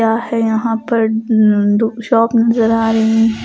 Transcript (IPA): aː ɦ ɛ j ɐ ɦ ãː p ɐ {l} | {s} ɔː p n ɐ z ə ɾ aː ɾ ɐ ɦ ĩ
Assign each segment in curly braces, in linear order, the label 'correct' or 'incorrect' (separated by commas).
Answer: incorrect, incorrect